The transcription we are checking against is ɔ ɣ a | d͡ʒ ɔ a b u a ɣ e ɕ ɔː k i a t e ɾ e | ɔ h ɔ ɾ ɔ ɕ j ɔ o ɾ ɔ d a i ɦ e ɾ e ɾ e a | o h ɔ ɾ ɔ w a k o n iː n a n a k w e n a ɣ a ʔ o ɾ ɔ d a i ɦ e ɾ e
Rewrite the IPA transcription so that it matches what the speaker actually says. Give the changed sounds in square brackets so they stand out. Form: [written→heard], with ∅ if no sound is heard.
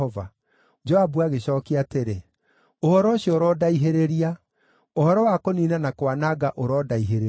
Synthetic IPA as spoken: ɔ [ɣ→v] a | d͡ʒ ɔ a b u a ɣ e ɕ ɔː k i a t e ɾ e | [ɔ→o] h ɔ ɾ ɔ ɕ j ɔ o ɾ ɔ d a i ɦ e ɾ e ɾ [e→i] a | o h ɔ ɾ ɔ w a k o n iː n a n a k w [e→a] n a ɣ a ʔ o ɾ ɔ d a i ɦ e ɾ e

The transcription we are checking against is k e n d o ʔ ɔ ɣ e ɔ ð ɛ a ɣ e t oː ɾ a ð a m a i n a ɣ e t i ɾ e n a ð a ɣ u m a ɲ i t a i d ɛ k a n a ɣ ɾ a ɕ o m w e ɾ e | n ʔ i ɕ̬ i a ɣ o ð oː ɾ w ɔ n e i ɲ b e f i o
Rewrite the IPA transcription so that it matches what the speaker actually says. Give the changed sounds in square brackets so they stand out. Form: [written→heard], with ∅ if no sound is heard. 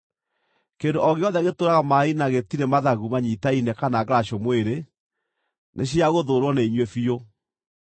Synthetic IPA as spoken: k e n d o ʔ ɔ ɣ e ɔ ð ɛ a ɣ e t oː ɾ a [ð→ɣ] a m a i n a ɣ e t i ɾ e [n→m] a ð a ɣ u m a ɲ i t a i [d→n] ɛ k a n a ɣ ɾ a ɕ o m w e ɾ e | n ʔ [i→e] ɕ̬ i a ɣ o ð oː ɾ w ɔ n e i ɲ [b→w] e f i o

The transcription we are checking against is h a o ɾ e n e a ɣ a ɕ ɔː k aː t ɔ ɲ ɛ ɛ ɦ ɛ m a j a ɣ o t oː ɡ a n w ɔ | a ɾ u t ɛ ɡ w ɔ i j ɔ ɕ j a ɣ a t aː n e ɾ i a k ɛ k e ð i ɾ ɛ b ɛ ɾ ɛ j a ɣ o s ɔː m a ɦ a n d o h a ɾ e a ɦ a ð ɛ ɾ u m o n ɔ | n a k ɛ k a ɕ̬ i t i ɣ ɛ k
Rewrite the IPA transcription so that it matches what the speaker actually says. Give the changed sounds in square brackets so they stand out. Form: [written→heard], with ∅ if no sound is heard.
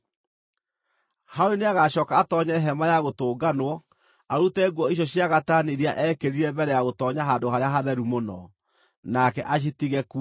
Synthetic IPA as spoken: h a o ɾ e n e a ɣ a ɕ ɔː k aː t ɔ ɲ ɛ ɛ ɦ ɛ m a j a ɣ o t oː ɡ a n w ɔ | a ɾ u t ɛ ɡ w ɔ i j ɔ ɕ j a ɣ a t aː n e ɾ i a [k→ʔ] ɛ k e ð i ɾ ɛ b ɛ ɾ ɛ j a ɣ o [s→t] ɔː [m→ɲ] a ɦ a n d o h a ɾ e a ɦ a ð ɛ ɾ u m o n ɔ | n a k ɛ [k→ʔ] a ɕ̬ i t i ɣ ɛ k

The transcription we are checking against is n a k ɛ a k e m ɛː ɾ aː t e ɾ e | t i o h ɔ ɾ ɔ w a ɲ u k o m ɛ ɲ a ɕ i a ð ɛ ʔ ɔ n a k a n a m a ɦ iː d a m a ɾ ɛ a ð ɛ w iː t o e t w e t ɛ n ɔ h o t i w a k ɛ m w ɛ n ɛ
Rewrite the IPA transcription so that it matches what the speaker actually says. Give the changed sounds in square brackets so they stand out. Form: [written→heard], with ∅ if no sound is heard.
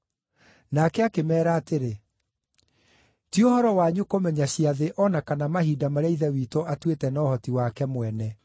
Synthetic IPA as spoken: n a k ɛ a k e m ɛː ɾ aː t e ɾ e | t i o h ɔ ɾ ɔ w a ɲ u k o m ɛ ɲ a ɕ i a ð [ɛ→e] ʔ ɔ n a k a n a m a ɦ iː d a m a ɾ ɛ [a→i] ð ɛ w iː t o [e→a] t w e t ɛ n ɔ h [o→ɔ] t i w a k ɛ m w ɛ n ɛ

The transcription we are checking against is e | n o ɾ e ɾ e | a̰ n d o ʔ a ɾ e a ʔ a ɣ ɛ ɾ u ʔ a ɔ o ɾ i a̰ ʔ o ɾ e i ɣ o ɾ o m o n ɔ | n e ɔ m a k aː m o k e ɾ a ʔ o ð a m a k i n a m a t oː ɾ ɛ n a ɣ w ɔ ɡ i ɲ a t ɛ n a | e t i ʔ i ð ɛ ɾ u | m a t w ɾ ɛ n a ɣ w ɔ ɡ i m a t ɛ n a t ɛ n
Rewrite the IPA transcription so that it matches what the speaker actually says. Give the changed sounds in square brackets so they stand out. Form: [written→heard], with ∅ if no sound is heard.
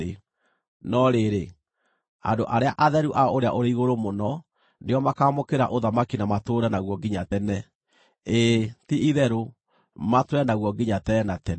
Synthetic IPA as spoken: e | n [o→ɔ] ɾ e ɾ e | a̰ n d o ʔ a ɾ e a ʔ a [ɣ→ð] ɛ ɾ u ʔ a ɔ o ɾ [i→e] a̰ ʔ o ɾ e i ɣ o ɾ o m o n ɔ | n e ɔ m a k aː m o k e ɾ a ʔ o ð a m a k i n a m a t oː ɾ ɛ n a ɣ w ɔ ɡ i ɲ a t ɛ n [a→ɛ] | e t i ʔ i ð ɛ ɾ [u→o] | m a t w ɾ ɛ n a ɣ w ɔ ɡ i [m→ɲ] a t ɛ n a t ɛ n

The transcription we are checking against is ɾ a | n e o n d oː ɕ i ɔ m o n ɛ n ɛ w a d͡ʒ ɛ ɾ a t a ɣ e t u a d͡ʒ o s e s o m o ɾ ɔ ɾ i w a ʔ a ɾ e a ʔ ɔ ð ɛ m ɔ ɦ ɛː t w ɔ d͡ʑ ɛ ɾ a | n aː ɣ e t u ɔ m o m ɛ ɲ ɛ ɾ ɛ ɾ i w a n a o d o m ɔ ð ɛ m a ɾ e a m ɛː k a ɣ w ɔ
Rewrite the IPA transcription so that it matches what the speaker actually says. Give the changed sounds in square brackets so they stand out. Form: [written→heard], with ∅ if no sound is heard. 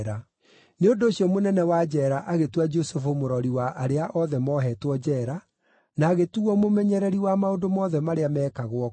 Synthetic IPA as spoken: ɾ a | n e o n d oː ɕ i ɔ m o n ɛ n ɛ w a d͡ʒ ɛ ɾ a [t→ʔ] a ɣ e t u a d͡ʒ o s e [s→f] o m o ɾ ɔ ɾ i w a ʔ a ɾ e a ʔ ɔ ð ɛ m ɔ ɦ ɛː t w ɔ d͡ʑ ɛ ɾ a | n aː ɣ e t u ɔ m o m ɛ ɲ ɛ ɾ ɛ ɾ i w a [n→m] a o d o m ɔ ð ɛ m a ɾ e a m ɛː k a ɣ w ɔ

